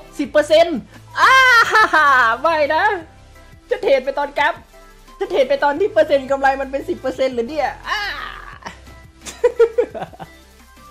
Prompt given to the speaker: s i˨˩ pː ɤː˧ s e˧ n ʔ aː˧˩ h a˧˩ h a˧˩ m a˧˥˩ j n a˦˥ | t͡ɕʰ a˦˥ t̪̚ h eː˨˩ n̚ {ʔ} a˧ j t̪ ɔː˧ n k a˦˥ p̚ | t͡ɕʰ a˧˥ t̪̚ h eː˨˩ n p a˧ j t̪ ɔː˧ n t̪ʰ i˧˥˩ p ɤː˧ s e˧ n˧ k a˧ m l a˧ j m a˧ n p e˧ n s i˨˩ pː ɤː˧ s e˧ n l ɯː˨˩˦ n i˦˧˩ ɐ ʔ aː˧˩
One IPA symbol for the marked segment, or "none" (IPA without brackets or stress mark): p